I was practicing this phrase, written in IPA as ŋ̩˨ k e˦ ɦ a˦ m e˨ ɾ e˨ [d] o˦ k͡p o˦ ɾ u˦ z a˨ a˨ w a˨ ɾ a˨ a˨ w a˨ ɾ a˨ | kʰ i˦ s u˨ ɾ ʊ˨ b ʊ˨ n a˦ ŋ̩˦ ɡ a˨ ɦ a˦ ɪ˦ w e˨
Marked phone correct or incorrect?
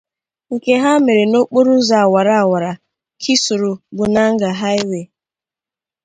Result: incorrect: n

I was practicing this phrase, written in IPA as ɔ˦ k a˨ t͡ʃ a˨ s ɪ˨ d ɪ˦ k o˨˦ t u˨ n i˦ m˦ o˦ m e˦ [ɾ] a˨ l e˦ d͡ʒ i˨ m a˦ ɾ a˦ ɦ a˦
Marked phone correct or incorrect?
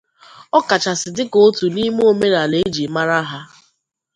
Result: correct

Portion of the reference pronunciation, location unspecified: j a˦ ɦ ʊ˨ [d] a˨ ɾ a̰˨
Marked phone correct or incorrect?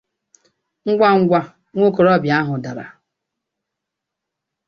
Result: correct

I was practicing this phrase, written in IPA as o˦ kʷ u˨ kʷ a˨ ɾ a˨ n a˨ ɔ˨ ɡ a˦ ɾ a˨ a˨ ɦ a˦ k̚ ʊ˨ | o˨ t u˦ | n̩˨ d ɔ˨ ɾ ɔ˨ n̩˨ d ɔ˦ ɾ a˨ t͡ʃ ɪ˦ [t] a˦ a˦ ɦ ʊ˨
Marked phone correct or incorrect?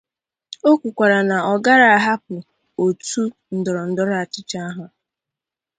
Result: incorrect: t͡ʃ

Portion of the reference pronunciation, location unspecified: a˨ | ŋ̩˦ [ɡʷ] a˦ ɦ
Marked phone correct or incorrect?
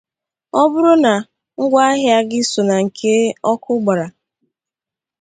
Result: correct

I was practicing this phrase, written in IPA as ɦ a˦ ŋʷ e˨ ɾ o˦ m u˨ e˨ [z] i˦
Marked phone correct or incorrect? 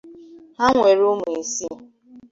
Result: incorrect: s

